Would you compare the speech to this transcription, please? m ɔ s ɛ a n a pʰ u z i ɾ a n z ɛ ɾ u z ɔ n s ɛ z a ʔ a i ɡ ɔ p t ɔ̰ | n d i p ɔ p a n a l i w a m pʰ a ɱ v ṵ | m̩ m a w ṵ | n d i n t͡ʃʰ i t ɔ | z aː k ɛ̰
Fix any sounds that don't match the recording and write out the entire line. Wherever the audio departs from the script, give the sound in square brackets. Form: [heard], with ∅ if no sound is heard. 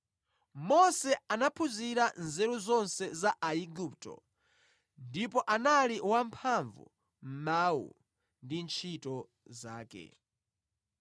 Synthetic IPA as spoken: m ɔ s ɛ a n a pʰ u z i ɾ a n z ɛ ɾ u z ɔ n s ɛ z a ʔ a i ɡ [u] p t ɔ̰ | n d i p ɔ [ʔ] a n a l i w a m pʰ a ɱ v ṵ | m̩ m a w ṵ | n d i n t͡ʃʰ i t ɔ | z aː k ɛ̰

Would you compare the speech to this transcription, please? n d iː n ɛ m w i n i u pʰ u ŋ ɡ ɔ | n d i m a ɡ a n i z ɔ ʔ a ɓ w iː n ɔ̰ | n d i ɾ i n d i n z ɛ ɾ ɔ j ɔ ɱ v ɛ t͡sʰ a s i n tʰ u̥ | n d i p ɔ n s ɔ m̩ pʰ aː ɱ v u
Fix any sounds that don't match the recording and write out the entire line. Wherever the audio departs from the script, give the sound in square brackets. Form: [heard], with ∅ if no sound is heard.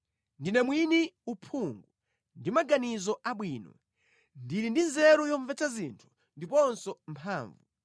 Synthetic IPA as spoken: n d [i] n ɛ m w i n i u pʰ u ŋ ɡ [u] | n d i m a ɡ a n i z ɔ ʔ a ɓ w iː n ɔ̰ | n d i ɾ i n d i n z ɛ ɾ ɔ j ɔ ɱ v ɛ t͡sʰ a [z] i n tʰ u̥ | n d i p ɔ n s ɔ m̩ pʰ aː ɱ v u

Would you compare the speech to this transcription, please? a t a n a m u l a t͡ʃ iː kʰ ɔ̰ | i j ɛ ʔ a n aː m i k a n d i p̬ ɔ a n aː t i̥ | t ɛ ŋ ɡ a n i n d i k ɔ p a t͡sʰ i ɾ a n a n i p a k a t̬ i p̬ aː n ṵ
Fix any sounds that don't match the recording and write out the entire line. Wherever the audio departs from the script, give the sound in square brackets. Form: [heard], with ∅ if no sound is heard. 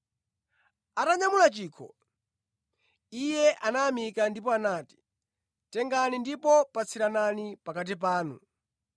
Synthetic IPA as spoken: a t a [ɲ] a m u l a t͡ʃ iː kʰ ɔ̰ | i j ɛ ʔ a n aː m i k a n d i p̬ ɔ a n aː t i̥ | t ɛ ŋ ɡ a n i n d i [p] ɔ p a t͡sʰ i ɾ a n a n i p a k a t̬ i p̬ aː n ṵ

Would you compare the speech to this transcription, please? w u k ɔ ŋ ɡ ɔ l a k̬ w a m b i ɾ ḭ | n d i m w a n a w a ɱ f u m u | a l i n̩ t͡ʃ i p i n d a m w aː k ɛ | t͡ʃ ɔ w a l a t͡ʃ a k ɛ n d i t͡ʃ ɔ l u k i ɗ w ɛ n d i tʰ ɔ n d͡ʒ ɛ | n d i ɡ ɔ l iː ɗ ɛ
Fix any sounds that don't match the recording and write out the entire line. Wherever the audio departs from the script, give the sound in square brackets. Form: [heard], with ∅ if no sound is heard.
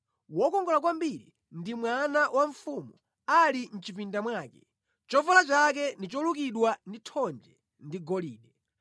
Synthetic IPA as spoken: w [ɔ] k ɔ ŋ ɡ ɔ l a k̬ w a m b i ɾ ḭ | n d i m w a n a w a ɱ f u m u | a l i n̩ t͡ʃ i p i n d a m w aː k ɛ | t͡ʃ ɔ [v] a l a t͡ʃ a k ɛ n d i t͡ʃ ɔ l u k i ɗ w [a] n d i tʰ ɔ n d͡ʒ ɛ | n d i ɡ ɔ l iː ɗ ɛ

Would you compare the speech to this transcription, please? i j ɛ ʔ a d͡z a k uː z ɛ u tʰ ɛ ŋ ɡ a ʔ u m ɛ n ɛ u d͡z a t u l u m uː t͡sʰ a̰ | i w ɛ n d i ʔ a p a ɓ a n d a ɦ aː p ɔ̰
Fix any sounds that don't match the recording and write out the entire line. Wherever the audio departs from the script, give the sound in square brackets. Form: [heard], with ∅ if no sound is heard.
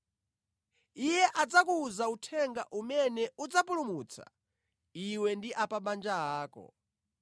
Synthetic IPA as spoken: i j ɛ ʔ a d͡z a k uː z [a] u tʰ ɛ ŋ ɡ a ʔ u m ɛ n ɛ u d͡z a [p] u l u m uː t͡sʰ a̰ | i w ɛ n d i ʔ a p a ɓ a n [d͡ʒ] a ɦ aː [k] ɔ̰

